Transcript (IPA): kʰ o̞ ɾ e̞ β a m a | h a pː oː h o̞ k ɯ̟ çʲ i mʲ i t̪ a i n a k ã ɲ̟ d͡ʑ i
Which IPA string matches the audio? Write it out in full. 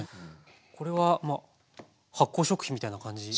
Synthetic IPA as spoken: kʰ o̞ ɾ e̞ β a m a | h a kː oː ɕ o̞ k ɯ̟ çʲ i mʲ i t̪ a i n a k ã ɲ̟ d͡ʑ i